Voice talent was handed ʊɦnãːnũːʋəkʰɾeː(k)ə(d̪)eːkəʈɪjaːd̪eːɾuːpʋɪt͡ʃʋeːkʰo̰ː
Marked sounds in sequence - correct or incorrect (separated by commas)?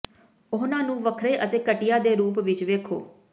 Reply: incorrect, incorrect